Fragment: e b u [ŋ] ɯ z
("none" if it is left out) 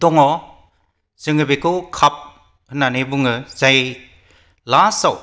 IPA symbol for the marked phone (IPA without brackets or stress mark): ŋ